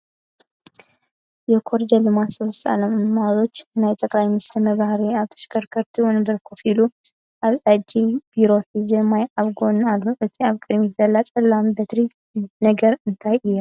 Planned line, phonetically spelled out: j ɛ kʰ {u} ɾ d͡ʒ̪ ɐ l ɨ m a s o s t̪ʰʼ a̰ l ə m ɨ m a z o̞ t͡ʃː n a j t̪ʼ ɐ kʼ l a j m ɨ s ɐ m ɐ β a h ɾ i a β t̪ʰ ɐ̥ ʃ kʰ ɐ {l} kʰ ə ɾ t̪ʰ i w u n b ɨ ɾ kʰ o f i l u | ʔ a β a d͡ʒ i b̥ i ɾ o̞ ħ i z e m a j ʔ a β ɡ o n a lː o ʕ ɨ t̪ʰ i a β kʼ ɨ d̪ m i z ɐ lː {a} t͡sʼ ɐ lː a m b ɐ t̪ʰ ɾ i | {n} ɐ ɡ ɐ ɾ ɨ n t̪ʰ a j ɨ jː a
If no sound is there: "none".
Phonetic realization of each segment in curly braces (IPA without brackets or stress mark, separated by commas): o, ɾ, a, n